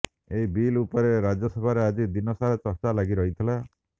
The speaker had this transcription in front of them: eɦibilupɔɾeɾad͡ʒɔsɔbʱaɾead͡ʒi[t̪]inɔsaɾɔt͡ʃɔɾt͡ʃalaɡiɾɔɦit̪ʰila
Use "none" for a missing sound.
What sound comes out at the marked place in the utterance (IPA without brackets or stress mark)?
d̪